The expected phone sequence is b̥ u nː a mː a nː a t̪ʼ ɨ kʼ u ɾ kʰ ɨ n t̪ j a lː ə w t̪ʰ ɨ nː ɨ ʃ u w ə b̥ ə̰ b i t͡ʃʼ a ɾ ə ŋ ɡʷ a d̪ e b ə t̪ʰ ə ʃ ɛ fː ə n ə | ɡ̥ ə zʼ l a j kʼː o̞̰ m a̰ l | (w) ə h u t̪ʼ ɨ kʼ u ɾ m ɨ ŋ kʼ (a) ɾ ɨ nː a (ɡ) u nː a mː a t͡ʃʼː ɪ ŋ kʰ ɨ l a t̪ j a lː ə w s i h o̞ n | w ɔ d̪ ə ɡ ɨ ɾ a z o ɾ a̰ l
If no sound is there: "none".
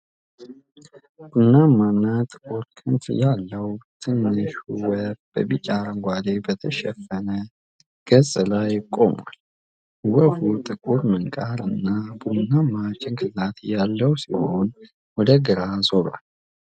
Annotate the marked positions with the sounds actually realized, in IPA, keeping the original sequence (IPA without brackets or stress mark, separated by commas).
w, a, b